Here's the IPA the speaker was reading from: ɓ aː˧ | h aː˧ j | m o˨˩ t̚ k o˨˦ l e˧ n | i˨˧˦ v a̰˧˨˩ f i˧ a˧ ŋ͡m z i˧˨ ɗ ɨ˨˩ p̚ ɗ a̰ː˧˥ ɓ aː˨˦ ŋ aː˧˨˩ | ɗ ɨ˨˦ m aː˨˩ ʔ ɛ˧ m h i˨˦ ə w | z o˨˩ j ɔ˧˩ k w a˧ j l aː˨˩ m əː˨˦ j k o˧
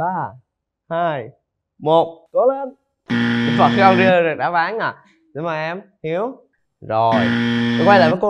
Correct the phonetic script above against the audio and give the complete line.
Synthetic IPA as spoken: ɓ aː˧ | h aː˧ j | m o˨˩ t̚ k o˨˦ l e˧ n | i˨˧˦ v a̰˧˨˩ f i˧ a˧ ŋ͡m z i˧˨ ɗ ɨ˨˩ k̚ ɗ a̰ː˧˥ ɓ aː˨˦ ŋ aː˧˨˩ | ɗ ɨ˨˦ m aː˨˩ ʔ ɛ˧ m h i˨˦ ə w | z o˨˩ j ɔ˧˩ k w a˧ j l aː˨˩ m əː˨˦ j k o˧